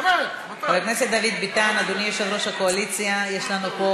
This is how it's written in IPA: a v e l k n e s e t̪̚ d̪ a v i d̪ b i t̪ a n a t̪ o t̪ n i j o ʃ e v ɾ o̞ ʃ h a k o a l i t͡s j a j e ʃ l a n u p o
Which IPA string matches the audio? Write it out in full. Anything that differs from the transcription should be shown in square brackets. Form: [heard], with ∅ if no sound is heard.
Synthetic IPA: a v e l k n e s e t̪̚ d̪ a v i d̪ b i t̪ a n a [d̪] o [∅] n i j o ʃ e v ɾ o̞ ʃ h a k o a l i t͡s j a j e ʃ l a n u p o